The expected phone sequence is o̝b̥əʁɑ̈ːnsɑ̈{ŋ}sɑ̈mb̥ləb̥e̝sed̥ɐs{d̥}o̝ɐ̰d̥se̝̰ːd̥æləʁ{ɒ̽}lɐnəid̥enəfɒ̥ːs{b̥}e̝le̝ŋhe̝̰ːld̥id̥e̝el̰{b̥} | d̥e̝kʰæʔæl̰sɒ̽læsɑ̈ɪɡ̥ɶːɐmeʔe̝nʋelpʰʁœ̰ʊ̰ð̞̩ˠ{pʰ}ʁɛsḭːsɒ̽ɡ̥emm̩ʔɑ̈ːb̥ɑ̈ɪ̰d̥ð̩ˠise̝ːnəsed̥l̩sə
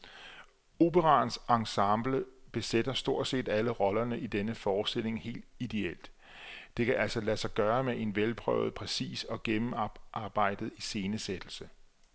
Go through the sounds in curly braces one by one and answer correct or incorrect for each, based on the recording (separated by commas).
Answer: correct, correct, correct, incorrect, incorrect, correct